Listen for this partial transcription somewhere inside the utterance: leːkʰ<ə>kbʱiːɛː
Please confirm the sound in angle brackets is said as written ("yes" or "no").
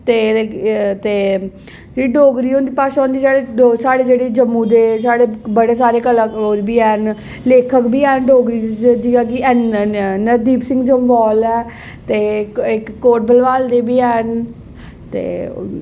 yes